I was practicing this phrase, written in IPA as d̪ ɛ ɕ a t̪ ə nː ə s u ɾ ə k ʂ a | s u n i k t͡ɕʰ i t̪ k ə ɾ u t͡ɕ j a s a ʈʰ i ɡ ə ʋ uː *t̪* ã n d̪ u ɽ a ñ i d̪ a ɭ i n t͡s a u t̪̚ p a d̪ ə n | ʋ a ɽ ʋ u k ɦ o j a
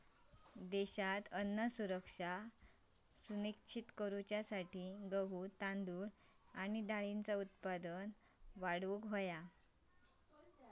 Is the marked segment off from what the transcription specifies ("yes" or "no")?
no